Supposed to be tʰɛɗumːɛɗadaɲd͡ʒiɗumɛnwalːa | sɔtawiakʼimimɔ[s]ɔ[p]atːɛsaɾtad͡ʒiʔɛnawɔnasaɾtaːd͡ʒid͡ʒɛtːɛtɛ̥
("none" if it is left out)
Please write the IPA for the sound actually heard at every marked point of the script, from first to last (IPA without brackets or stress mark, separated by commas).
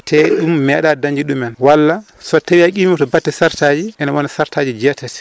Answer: t, b